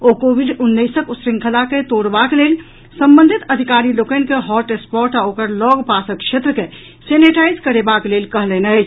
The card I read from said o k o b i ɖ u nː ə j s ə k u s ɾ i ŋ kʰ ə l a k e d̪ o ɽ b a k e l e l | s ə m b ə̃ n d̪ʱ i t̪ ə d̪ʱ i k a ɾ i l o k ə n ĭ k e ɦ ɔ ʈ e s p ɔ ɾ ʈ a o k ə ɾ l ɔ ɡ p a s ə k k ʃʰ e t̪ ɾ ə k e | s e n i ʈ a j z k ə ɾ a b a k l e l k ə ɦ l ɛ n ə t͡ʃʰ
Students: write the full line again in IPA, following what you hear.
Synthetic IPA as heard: o k o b i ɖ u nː ə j s ə k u s ɾ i ŋ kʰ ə l a k e t̪ o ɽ b a k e l e l | s ə m b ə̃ n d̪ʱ i t̪ ə d̪ʱ i k a ɾ i l o k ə n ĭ k e ɦ ɔ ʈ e s p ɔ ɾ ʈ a o k ə ɾ l ɔ ɡ p a s ə k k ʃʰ e t̪ ɾ ə k e | s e n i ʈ a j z k ə ɾ e b a k l e l k ə ɦ l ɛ n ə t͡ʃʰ

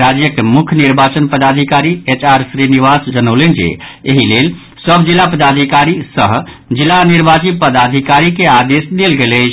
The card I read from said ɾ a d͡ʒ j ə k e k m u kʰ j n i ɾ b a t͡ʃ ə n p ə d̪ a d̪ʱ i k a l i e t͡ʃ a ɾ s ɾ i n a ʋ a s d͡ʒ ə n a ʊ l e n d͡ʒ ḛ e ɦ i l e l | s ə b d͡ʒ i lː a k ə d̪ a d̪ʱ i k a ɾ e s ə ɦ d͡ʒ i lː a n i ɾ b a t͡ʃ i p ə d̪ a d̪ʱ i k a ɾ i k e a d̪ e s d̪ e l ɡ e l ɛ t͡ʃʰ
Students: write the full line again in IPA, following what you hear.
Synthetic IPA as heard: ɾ a d͡ʒ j ə k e m u kʰ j n i ɾ b a t͡ʃ ə n p ə d̪ a d̪ʱ i k a ɾ i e t͡ʃ a ɾ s ɾ i n i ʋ a s d͡ʒ ə n ə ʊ l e n d͡ʒ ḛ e ɦ i l e l | s ə b d͡ʒ i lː a p ə d̪ a d̪ʱ i k a ɾ i s ə ɦ d͡ʒ i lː a n i ɾ b a t͡ʃ i p ə d̪ a d̪ʱ i k a ɾ i k e a d̪ e s d̪ e l ɡ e l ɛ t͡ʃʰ

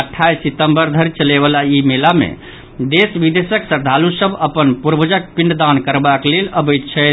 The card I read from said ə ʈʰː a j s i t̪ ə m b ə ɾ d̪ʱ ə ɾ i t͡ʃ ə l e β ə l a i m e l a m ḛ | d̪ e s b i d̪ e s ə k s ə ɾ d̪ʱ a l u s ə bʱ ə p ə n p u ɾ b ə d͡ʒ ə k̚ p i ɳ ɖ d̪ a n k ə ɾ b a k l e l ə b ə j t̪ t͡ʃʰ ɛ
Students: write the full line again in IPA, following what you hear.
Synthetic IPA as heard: ə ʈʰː a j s i t̪ ə m b ə ɾ d̪ʱ ə ɾ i t͡ʃ ə l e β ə l a i m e l a m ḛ | d̪ e s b i d̪ e s ə k s ə ɾ d̪ʱ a l u s ə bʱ ə p ə n p u ɾ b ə d͡ʒ ə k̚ p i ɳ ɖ d̪ a n k ə ɾ b a k l e l ə b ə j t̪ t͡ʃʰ ɛ

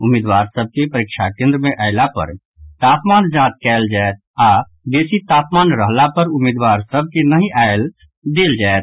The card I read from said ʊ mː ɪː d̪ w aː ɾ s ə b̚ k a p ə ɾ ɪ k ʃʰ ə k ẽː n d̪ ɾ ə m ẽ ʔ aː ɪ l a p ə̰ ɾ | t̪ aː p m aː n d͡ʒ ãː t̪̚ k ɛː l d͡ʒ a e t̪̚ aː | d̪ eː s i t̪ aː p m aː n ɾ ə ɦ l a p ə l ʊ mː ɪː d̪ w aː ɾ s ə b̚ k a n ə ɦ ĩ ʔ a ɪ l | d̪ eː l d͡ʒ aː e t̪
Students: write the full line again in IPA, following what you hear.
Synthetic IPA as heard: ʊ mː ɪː d̪ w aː ɾ s ə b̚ k e p ə ɾ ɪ k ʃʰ a k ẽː n d̪ ɾ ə m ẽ ʔ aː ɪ l a p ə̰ ɾ | t̪ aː p m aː n d͡ʒ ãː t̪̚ k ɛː l d͡ʒ a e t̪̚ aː | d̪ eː s i t̪ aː p m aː n ɾ ə ɦ l a p ə ɾ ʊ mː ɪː d̪ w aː ɾ s ə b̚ k e n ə ɦ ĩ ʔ a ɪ l | d̪ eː l d͡ʒ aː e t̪

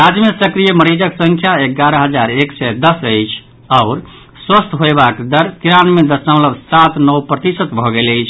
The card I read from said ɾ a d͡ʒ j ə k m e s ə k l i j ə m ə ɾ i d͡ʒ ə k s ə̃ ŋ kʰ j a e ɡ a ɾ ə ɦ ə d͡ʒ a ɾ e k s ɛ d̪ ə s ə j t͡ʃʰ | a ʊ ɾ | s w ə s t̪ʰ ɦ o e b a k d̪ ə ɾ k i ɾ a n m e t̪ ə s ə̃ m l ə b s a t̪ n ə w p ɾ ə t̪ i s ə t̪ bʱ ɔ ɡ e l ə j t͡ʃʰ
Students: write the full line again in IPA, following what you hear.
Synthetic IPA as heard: ɾ a d͡ʒ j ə m e s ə k ɾ i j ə m ə ɾ i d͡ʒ ə k s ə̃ ŋ kʰ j a e ɡ a ɾ ə ɦ ə d͡ʒ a ɾ e k s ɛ d̪ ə s ə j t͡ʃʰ | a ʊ ɾ | s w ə s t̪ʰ ɦ o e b a k d̪ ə ɾ k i ɾ a n m e d̪ ə s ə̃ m l ə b s a t̪ n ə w p ɾ ə t̪ i s ə t̪ bʱ ɔ ɡ e l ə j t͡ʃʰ

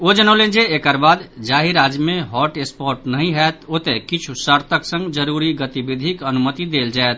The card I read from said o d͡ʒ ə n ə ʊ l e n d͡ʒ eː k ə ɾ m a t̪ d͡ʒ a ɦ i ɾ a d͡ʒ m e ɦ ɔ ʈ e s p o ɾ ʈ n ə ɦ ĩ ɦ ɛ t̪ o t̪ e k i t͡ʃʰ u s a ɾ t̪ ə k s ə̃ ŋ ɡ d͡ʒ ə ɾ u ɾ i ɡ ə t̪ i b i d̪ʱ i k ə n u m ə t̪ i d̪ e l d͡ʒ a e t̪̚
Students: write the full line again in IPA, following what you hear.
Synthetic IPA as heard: o d͡ʒ ə n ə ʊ l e n d͡ʒ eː k ə ɾ b a d̪ d͡ʒ a ɦ i ɾ a d͡ʒ m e ɦ ɔ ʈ e s p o ɾ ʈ n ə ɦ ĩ ɦ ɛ t̪ o t̪ e k i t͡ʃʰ u s ə ɾ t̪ ə k s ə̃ ŋ ɡ d͡ʒ ə ɾ u ɾ i ɡ ə t̪ i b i d̪ʱ i k ə n u m ə t̪ i d̪ e l d͡ʒ a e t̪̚

